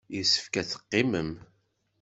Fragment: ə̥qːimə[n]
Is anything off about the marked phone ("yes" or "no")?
yes